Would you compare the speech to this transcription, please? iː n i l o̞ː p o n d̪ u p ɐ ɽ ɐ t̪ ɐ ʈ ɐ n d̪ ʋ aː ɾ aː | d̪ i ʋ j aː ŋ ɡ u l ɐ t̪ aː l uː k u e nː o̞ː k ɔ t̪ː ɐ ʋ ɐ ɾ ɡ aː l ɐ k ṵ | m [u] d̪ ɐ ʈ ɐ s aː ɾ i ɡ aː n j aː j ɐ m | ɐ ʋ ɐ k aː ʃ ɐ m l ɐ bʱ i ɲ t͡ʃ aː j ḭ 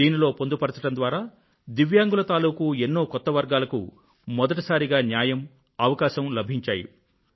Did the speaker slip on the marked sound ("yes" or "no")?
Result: yes